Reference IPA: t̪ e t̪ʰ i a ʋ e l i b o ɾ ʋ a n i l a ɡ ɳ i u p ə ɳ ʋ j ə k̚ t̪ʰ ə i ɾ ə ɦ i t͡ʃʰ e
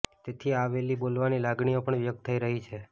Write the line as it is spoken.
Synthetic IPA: t̪ e t̪ʰ i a ʋ e l i b o l ʋ a n i l a ɡ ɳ i o p ə ɳ ʋ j ə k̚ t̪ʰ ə i ɾ ə ɦ i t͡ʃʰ e